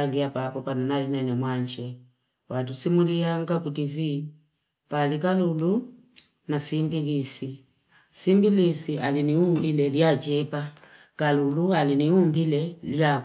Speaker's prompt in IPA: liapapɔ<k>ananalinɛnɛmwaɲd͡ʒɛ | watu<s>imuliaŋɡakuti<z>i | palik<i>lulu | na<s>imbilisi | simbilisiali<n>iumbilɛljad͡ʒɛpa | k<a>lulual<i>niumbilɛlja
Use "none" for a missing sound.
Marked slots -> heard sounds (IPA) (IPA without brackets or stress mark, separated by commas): p, s, v, a, s, n, a, i